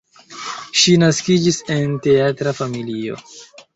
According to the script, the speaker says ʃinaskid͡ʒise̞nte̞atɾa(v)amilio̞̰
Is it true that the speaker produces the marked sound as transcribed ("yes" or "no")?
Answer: no